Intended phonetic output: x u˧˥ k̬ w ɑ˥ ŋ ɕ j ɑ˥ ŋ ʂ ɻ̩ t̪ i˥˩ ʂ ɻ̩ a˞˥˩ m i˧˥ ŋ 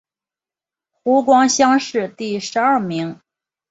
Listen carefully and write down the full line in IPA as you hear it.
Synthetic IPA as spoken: x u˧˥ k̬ w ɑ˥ ŋ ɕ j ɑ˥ ŋ ʂ ɻ̩ t̪ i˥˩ ʂ ɻ̩ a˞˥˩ m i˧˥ ŋ